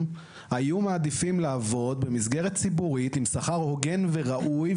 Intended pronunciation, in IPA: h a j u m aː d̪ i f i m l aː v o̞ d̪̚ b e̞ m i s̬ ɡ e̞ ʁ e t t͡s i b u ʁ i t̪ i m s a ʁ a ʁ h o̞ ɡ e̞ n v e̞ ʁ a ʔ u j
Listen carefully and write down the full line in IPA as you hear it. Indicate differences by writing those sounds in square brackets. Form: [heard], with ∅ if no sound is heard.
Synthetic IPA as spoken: h a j u m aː d̪ i f i m l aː v o̞ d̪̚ b e̞ m i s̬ ɡ e̞ ʁ e t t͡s i b u ʁ i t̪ i m s a [χ] a ʁ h o̞ ɡ e̞ n v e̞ ʁ a ʔ u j